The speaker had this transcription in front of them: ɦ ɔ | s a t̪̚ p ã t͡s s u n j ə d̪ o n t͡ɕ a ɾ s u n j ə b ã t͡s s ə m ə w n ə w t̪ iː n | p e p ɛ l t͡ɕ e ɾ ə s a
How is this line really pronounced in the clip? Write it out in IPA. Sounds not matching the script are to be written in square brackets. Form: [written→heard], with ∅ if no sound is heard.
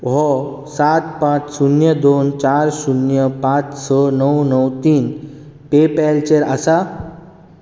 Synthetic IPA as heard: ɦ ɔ | s a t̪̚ p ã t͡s s u n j ə d̪ o n t͡ɕ a ɾ s u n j ə [b→p] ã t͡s s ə [m→n] ə w n ə w t̪ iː n | p e p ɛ l t͡ɕ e ɾ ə s a